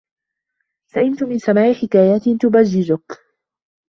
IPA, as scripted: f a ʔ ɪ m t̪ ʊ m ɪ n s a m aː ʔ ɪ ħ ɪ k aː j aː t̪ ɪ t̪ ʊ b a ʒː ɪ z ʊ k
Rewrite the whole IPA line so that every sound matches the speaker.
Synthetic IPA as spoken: s a ʔ ɪ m t̪ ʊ m ɪ n s a m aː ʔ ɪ ħ ɪ k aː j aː t̪ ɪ t̪ ʊ b a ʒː ɪ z ʊ k